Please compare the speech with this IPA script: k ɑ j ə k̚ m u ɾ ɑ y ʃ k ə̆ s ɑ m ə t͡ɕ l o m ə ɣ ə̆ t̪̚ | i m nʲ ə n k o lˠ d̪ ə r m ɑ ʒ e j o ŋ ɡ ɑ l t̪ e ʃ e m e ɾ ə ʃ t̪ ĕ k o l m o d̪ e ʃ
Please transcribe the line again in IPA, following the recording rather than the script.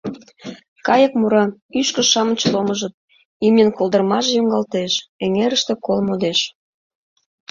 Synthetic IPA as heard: k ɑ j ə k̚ m u ɾ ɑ y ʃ k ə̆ ʃ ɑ m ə t͡ɕ l o m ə ʒ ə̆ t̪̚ | i m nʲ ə n k o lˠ d̪ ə r m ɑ ʒ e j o ŋ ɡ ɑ l t̪ e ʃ e ŋ e ɾ ə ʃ t̪ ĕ k o l m o d̪ e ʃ